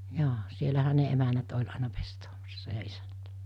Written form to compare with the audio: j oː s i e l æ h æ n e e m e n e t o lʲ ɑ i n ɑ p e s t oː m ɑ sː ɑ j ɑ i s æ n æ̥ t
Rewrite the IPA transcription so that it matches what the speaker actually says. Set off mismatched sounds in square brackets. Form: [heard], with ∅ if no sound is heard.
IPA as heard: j oː s i e l æ h æ n e e m [æ] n [æ] t o lʲ ɑ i n ɑ p e s t oː m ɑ sː ɑ j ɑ i s æ n æ̥ t